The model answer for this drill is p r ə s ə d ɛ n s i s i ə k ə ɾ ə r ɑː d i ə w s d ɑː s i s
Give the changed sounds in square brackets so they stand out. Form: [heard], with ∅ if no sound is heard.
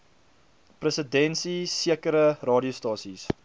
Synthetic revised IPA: p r ə s ə d ɛ n s i s i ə k ə ɾ ə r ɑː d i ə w s [t] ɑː s i s

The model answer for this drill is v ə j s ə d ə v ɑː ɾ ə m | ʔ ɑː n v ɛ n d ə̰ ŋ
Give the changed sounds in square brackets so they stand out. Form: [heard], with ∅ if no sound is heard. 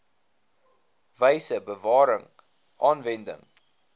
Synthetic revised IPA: v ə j s ə [b] ə v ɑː ɾ ə [ŋ] | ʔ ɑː n v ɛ n d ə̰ ŋ

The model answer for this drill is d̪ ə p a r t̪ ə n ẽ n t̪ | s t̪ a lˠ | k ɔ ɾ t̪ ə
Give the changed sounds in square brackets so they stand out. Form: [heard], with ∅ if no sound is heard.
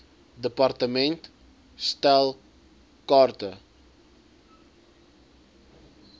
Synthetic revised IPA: d̪ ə p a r t̪ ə [m] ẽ n t̪ | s t̪ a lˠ | k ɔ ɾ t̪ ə

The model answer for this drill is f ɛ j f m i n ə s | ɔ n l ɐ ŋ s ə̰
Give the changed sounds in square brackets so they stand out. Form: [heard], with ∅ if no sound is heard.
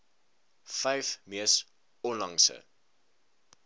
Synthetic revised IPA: f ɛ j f m i [∅] ə s | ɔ n l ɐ ŋ s ə̰

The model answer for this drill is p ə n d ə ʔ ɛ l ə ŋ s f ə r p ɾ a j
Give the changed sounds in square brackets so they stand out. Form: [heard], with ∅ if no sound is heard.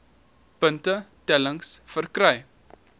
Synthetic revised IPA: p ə n [t] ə [t] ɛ l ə ŋ s f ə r [k] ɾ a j

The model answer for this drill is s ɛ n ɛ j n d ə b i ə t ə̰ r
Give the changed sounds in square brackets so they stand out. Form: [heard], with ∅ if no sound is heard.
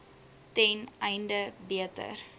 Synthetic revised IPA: [t] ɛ n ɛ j n d ə b i ə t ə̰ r

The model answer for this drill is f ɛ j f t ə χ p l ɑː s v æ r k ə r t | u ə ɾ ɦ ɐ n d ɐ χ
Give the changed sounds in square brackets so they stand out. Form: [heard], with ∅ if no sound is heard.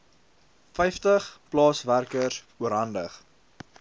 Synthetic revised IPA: f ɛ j f t ə χ p l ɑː s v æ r k ə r [s] | u ə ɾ ɦ ɐ n d [ə] χ

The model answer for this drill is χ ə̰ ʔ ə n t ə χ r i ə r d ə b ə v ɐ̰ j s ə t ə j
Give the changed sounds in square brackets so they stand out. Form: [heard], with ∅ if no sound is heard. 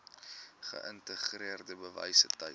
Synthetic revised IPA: χ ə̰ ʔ ə n t ə χ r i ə r d ə b ə v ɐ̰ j s ə t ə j

